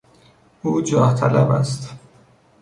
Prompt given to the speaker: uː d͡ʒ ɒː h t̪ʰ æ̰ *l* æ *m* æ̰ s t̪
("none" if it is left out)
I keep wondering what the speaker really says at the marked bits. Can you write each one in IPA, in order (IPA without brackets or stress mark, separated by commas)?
l, b